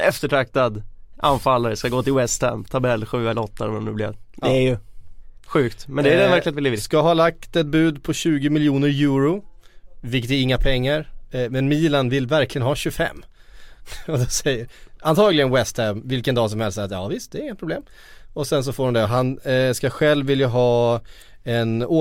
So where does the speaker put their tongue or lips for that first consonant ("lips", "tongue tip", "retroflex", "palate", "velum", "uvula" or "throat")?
lips